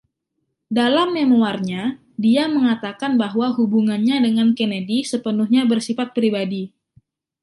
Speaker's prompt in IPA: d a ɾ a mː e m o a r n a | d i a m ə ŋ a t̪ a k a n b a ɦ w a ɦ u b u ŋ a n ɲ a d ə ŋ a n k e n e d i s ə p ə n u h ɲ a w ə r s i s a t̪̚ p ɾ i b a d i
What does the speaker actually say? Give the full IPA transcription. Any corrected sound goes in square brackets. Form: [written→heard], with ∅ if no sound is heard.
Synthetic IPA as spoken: d a [ɾ→l] a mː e m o a r [n→ɲ] a | d i a m ə ŋ a t̪ a k a n b a ɦ w a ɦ u b u ŋ a n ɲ a d ə ŋ a n k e n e d i s ə p ə n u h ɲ a [w→b] ə r s i [s→f] a t̪̚ p ɾ i b a d i